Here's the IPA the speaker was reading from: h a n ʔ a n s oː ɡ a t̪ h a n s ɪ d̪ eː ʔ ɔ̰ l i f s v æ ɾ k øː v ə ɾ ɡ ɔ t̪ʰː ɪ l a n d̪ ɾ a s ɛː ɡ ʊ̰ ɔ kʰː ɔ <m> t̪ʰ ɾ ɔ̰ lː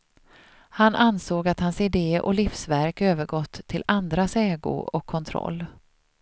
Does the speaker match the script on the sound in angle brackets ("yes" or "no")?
no